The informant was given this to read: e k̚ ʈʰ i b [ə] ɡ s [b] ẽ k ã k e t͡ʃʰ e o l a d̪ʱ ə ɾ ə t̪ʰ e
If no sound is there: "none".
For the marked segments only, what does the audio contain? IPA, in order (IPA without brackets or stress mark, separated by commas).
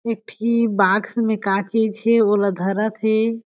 a, m